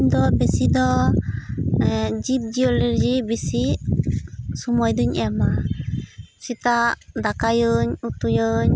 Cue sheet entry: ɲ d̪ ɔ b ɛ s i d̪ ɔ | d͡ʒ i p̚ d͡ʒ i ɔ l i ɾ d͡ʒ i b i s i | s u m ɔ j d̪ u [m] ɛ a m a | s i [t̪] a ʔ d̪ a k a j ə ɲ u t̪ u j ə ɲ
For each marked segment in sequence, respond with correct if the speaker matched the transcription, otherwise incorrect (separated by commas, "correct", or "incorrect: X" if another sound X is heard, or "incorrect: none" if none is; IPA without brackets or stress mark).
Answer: incorrect: ɲ, correct